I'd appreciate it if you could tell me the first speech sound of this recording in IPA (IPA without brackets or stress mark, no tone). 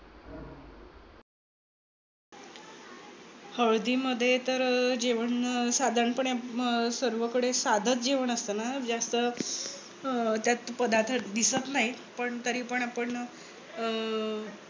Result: h